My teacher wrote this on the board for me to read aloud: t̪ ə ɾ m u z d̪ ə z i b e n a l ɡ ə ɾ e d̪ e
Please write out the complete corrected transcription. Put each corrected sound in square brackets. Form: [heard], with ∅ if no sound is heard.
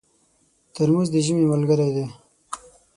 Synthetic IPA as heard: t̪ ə ɾ m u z d̪ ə [ʒ] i [m] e [m] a l ɡ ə ɾ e d̪ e